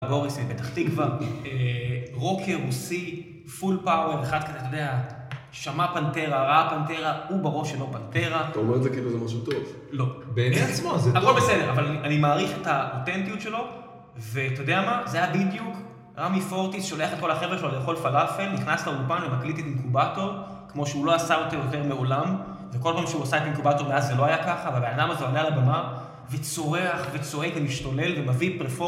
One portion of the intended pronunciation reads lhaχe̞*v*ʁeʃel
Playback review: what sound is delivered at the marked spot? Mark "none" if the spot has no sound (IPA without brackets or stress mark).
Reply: v